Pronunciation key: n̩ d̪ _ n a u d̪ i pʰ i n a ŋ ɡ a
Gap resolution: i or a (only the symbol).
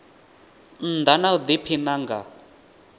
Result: a